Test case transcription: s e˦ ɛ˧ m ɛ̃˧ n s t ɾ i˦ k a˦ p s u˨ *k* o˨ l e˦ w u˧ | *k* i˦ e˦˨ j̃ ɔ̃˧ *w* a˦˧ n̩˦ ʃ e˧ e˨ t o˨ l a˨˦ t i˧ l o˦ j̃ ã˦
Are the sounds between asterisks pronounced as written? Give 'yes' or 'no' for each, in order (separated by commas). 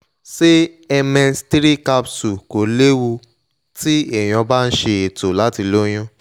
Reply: yes, no, no